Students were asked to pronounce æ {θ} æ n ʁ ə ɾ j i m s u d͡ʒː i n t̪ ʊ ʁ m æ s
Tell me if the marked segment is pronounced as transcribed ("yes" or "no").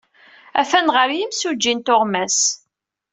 no